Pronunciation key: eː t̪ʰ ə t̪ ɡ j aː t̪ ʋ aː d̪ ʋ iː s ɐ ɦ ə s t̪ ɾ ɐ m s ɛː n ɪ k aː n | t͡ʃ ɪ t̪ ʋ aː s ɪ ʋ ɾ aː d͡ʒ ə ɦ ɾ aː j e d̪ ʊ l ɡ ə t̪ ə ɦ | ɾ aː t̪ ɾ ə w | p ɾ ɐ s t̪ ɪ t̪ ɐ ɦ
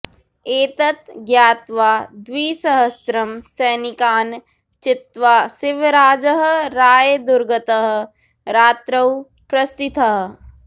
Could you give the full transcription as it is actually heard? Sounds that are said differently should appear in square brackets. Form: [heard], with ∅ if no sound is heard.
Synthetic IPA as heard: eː [t̪] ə t̪ ɡ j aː t̪ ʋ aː d̪ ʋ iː s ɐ ɦ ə s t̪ ɾ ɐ m s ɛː n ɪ k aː n | t͡ʃ ɪ t̪ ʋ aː s ɪ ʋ ɾ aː d͡ʒ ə ɦ ɾ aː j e d̪ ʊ [ɾ] ɡ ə t̪ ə ɦ | ɾ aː t̪ ɾ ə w | p ɾ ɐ s t̪ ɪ t̪ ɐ ɦ